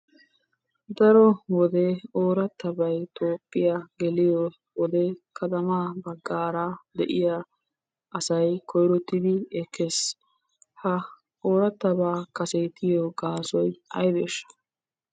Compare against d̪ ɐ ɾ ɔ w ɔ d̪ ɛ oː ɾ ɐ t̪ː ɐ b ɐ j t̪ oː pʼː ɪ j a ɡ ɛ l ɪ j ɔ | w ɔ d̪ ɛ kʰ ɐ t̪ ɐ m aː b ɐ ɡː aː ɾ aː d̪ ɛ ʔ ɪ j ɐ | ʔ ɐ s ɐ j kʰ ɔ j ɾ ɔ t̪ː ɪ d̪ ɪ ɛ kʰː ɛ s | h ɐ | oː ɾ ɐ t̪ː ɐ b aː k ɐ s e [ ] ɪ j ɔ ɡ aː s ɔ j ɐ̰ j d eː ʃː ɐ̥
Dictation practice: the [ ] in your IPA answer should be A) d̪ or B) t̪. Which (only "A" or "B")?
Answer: B